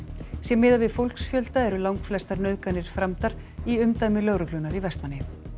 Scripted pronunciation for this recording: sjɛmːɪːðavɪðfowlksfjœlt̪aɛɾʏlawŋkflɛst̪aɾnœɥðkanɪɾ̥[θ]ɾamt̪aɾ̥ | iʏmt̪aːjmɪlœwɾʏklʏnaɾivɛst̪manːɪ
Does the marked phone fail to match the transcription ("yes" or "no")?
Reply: yes